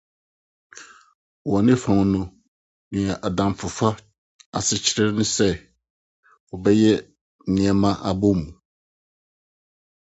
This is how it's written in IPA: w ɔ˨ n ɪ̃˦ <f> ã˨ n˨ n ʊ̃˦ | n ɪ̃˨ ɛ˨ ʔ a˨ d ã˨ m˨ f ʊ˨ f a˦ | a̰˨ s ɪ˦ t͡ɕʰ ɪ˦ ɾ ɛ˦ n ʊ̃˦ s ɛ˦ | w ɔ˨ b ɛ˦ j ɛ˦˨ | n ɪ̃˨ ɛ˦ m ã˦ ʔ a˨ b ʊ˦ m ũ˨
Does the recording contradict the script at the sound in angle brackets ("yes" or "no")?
no